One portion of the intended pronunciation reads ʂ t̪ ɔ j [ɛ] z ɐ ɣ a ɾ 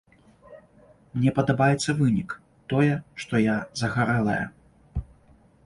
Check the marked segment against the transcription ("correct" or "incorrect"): incorrect